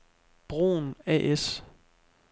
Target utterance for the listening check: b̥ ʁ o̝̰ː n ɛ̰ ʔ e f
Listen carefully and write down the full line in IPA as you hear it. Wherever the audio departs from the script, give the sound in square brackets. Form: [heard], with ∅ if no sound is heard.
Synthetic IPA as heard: b̥ ʁ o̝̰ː n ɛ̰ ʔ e [s]